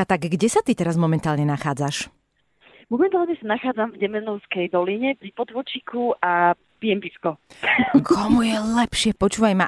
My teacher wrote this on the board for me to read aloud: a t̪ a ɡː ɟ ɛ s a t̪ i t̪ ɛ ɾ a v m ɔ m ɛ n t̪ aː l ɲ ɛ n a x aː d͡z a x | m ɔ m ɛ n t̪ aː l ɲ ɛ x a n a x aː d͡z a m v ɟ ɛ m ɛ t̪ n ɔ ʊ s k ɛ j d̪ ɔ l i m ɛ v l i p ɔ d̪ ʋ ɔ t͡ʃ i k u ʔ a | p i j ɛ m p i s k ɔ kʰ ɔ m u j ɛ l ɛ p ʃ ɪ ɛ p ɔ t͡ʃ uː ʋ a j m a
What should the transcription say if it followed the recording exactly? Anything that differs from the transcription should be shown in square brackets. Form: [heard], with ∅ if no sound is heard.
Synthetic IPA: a t̪ a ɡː ɟ ɛ s a t̪ i t̪ ɛ ɾ a [z] m ɔ m ɛ n t̪ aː l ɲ ɛ n a x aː d͡z a [ʃ] | m ɔ m ɛ n t̪ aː l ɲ ɛ [s] a n a x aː d͡z a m v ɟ ɛ m ɛ [∅] n ɔ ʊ s k ɛ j d̪ ɔ l i [ɲ] ɛ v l i p ɔ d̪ ʋ ɔ t͡ʃ i k u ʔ a | p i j ɛ m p i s k ɔ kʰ ɔ m u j ɛ l ɛ p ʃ ɪ ɛ p ɔ t͡ʃ uː ʋ a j m a